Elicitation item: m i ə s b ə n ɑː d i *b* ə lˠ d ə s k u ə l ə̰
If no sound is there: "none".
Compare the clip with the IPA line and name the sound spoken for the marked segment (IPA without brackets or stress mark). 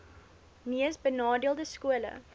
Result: none